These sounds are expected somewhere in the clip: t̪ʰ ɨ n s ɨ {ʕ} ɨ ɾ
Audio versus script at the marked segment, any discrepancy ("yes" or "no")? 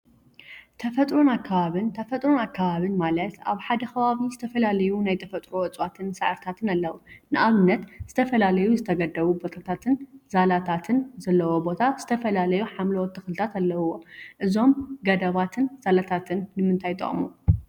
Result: no